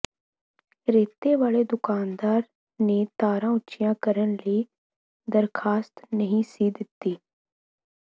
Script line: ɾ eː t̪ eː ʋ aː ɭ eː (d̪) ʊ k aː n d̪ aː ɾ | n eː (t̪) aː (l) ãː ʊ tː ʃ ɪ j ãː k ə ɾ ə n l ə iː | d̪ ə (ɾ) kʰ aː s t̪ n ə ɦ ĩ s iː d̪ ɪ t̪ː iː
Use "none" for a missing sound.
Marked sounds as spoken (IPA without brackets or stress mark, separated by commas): d̪, t̪, ɾ, ɾ